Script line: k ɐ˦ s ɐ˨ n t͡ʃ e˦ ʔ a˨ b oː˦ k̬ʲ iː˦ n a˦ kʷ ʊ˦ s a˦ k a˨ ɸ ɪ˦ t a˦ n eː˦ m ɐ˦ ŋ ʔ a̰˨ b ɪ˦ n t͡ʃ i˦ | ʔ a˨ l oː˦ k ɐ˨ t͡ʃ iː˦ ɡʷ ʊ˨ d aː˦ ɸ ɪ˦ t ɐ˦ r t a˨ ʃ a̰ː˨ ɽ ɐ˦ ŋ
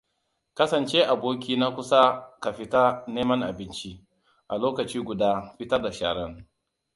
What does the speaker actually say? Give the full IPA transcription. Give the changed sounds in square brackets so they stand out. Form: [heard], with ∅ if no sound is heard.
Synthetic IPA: k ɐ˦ s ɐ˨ n t͡ʃ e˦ ʔ a˨ b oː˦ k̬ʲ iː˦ n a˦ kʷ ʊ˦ s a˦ k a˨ ɸ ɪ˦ t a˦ n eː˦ m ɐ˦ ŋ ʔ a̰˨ b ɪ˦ n t͡ʃ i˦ | ʔ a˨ l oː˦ k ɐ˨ t͡ʃ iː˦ ɡʷ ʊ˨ d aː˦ ɸ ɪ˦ t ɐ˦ r [d] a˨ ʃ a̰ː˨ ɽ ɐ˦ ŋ